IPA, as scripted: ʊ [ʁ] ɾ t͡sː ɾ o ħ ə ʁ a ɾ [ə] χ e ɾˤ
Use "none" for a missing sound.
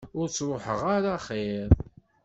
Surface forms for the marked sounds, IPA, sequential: none, a

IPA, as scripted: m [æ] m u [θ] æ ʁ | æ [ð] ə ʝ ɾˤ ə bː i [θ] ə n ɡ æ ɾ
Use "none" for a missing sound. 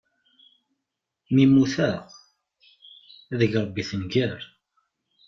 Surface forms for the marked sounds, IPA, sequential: i, θ, ð, θ

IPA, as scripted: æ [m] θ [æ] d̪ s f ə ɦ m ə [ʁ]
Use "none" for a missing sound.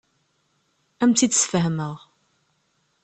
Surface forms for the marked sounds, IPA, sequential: m, i, ʁ

